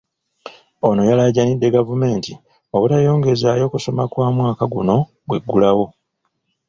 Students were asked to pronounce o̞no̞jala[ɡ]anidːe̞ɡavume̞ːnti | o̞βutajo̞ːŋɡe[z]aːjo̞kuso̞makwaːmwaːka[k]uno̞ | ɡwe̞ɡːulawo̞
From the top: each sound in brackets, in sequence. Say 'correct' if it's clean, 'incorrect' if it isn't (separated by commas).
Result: incorrect, correct, incorrect